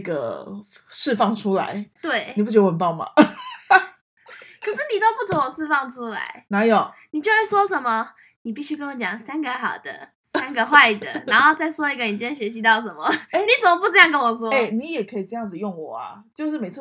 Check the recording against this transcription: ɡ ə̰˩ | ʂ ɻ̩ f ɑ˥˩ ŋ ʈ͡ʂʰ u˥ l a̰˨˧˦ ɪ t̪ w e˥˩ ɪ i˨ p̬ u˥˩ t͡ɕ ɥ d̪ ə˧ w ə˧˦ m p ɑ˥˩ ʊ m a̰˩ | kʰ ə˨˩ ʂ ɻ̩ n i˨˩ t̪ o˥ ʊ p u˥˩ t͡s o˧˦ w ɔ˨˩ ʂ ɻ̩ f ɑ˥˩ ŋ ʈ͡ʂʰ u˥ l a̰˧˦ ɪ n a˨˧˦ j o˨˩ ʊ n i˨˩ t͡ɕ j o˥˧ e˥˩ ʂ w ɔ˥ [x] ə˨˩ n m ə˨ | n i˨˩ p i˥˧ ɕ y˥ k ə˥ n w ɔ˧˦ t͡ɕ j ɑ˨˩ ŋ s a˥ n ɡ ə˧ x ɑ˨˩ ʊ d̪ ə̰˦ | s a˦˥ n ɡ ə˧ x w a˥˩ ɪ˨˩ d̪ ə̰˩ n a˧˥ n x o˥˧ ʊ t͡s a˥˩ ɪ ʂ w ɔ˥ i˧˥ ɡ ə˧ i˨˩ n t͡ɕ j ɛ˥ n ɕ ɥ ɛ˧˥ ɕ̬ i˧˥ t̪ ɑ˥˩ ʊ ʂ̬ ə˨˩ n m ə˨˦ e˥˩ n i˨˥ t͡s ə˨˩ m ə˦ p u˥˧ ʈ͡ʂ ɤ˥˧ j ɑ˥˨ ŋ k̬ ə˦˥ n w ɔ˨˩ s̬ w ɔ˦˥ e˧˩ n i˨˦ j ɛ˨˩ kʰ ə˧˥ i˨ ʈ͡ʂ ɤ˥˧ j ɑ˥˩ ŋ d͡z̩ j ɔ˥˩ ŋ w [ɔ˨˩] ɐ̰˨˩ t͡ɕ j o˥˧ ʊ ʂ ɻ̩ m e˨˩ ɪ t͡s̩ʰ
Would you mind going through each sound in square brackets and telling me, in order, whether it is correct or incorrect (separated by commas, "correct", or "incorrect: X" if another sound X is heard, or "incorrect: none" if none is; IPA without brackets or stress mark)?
incorrect: ʂ, correct